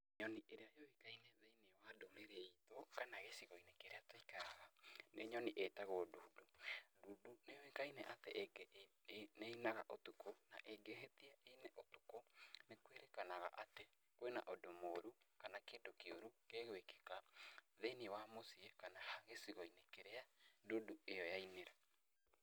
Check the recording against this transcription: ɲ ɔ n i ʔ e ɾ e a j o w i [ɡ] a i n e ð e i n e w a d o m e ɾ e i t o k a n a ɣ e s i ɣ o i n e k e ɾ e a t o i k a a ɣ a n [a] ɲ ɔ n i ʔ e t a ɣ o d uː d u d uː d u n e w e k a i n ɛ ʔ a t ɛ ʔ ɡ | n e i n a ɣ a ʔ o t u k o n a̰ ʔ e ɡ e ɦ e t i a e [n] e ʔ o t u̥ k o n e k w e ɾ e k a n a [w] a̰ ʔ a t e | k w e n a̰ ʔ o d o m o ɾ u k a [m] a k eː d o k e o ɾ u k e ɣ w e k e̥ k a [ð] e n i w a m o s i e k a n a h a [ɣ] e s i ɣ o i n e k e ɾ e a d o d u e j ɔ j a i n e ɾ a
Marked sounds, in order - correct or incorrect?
incorrect, incorrect, correct, incorrect, incorrect, correct, correct

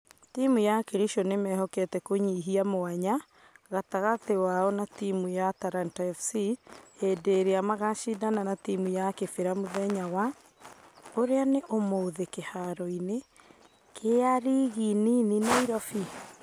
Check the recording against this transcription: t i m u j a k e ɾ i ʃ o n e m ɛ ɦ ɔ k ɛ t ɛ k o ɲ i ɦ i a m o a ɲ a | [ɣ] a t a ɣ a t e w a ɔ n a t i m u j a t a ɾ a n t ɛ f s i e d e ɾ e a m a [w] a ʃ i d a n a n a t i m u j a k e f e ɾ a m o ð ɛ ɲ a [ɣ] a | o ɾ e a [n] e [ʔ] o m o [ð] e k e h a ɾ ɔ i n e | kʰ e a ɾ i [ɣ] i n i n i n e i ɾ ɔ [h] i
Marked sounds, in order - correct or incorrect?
correct, incorrect, incorrect, correct, correct, correct, correct, incorrect

